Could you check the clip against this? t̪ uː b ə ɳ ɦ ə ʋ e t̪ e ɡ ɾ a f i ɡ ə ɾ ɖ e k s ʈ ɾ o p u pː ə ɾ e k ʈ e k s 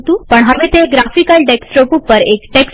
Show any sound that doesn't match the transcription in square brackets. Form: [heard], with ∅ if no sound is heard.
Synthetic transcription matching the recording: t̪ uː [p] ə ɳ ɦ ə ʋ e t̪ e ɡ ɾ a f i [k] ə [l] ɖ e k s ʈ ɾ o p u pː ə ɾ e k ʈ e k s